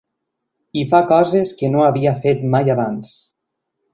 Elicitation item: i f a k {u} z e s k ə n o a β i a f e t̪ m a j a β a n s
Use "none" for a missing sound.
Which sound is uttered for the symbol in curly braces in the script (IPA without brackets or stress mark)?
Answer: ɔ